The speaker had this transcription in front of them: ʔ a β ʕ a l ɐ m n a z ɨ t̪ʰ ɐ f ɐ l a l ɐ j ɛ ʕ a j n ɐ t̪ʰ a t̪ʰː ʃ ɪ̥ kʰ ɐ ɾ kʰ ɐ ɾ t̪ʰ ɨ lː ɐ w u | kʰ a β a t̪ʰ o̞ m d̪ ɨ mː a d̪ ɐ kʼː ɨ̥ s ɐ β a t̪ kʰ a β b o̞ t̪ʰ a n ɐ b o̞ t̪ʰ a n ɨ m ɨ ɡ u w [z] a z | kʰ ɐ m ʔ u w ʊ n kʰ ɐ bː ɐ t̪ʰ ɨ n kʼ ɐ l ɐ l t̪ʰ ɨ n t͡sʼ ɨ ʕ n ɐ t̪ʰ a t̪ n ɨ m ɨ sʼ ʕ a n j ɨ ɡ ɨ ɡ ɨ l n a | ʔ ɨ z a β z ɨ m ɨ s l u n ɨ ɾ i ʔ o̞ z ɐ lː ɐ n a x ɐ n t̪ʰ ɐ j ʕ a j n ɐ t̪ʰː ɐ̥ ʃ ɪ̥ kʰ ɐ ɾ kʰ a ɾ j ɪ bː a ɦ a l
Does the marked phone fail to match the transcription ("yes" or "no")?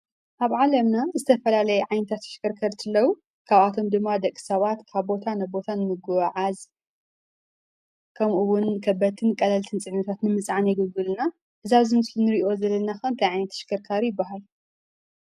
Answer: yes